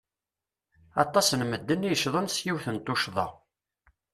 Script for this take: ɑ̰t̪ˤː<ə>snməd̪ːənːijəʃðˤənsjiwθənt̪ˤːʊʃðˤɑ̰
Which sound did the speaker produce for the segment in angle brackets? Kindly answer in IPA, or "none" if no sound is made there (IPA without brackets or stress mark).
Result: ɑ